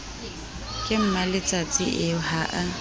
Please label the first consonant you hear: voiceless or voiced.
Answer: voiceless